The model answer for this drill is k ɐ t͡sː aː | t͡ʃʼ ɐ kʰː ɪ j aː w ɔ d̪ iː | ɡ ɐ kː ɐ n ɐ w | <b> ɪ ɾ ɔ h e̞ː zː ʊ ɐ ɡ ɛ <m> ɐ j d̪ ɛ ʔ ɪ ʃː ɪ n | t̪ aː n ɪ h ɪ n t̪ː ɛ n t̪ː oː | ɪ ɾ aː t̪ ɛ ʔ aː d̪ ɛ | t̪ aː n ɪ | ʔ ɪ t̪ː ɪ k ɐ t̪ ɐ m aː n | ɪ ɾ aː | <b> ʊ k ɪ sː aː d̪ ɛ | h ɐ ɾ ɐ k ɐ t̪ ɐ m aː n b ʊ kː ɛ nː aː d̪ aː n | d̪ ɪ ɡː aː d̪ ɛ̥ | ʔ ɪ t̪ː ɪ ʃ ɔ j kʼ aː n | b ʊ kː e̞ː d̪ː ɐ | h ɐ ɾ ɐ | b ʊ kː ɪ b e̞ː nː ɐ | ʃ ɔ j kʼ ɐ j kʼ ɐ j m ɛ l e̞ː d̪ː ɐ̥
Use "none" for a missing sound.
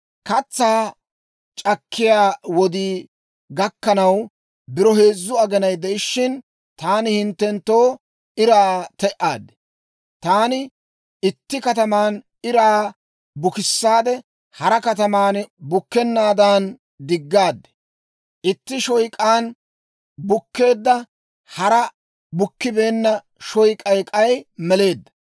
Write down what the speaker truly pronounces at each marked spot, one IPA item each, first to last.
b, n, b

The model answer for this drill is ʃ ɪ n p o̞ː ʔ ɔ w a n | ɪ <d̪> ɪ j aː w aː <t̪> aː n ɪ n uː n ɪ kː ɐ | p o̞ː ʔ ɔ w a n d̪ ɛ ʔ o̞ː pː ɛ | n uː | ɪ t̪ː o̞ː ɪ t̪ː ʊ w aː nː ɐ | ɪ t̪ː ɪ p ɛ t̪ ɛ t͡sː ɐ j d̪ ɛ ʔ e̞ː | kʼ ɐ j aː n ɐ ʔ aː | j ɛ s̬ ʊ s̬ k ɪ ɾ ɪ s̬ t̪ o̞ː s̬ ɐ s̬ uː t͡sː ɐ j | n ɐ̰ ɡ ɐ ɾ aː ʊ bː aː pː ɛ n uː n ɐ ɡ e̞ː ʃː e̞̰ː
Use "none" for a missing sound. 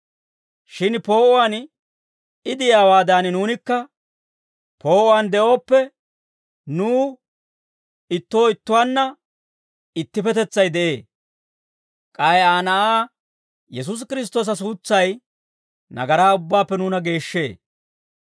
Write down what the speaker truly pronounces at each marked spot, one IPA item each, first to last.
d̪, d̪

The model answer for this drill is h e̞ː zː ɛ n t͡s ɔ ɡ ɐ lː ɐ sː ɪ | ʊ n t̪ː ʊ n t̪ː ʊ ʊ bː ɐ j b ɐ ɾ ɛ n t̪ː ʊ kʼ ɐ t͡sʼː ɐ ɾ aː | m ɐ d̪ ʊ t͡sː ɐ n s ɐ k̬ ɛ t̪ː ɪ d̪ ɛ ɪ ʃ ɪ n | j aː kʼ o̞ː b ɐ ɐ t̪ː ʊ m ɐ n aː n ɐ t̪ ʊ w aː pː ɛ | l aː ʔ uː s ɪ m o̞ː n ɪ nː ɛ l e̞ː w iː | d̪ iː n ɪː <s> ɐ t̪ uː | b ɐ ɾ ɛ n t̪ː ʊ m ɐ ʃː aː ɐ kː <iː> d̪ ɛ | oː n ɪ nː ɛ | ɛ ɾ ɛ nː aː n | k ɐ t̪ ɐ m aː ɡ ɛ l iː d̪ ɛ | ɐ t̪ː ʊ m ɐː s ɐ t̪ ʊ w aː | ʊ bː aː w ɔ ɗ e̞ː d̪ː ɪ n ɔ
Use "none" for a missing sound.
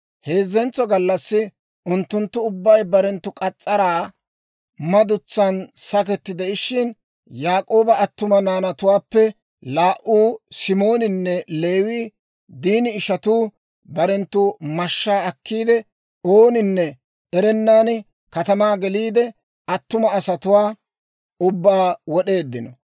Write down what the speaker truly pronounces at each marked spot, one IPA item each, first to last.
ʃ, iː

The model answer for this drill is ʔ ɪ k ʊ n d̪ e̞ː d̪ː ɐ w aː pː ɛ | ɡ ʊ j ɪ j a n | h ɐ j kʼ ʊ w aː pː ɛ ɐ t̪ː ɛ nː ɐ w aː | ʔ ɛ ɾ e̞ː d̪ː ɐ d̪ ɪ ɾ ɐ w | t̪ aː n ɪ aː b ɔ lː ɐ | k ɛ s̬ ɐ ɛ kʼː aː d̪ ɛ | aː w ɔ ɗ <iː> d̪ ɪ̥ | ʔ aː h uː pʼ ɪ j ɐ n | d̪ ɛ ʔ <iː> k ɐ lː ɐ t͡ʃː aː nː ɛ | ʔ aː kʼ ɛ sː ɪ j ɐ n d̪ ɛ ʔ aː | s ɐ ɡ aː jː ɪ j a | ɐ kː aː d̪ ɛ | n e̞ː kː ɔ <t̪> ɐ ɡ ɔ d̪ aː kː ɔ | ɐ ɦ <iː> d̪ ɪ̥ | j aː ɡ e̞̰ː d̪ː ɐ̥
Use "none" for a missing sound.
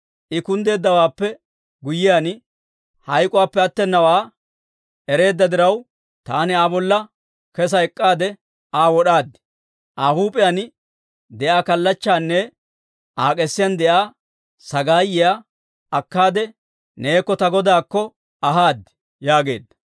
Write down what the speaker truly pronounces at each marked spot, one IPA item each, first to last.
aː, aː, t̪, aː

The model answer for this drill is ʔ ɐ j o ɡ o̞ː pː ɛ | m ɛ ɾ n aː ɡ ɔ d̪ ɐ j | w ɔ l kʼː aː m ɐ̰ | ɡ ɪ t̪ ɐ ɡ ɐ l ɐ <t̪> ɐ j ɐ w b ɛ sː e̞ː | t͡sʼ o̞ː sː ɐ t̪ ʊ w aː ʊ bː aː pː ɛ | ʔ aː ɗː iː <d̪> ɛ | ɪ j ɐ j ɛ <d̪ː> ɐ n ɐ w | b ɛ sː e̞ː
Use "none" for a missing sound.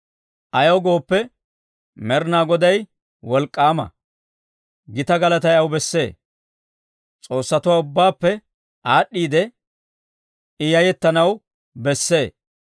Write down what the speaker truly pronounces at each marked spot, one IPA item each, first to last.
t̪, d̪, t̪ː

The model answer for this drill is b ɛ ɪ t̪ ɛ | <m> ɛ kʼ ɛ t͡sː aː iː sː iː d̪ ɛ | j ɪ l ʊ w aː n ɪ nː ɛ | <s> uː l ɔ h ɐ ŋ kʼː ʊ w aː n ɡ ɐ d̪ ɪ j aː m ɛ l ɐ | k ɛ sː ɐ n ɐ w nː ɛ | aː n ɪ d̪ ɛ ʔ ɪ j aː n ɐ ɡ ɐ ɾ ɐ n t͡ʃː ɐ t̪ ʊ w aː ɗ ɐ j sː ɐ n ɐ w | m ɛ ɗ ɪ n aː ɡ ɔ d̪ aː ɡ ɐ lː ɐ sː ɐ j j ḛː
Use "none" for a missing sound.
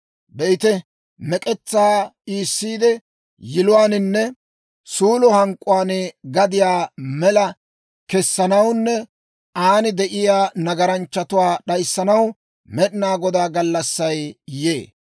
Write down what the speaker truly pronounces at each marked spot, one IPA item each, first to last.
m, s

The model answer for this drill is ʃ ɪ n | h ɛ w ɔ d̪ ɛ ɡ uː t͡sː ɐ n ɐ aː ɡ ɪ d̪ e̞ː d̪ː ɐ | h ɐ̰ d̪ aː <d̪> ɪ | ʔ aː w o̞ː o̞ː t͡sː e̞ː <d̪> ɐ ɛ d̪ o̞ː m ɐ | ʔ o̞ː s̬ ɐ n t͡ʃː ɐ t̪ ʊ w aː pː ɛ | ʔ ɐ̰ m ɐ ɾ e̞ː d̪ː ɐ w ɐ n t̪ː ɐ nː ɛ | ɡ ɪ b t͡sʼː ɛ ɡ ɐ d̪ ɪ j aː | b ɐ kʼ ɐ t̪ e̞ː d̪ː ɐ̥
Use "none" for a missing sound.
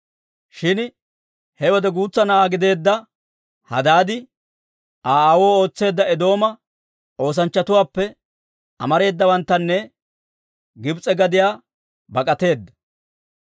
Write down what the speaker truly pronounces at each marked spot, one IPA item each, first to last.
d̪, d̪ː

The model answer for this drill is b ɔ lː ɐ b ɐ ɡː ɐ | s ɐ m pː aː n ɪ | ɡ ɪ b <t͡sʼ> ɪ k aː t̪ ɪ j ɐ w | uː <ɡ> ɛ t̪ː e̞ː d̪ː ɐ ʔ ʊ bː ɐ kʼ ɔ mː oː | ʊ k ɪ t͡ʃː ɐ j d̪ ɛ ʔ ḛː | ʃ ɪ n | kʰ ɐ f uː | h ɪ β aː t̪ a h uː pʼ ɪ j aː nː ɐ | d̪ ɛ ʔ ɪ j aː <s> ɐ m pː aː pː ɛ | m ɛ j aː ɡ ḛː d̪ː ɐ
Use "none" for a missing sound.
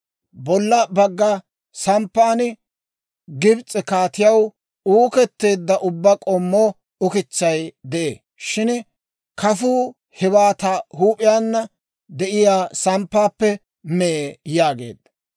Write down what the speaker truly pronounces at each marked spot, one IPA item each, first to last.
t͡sʼ, k, s

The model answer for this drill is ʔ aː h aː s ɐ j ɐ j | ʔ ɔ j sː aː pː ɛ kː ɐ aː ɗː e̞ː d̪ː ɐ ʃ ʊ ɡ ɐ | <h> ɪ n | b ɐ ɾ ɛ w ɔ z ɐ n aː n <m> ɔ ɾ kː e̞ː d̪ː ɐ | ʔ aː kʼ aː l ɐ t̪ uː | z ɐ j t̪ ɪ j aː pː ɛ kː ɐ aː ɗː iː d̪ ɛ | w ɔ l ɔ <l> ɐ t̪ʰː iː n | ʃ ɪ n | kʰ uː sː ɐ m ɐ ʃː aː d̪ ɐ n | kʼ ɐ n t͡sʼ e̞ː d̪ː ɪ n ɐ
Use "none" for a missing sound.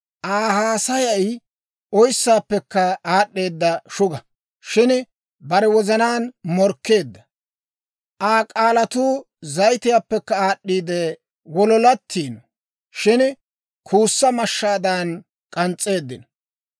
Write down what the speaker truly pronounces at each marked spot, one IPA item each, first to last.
ʃ, m, l

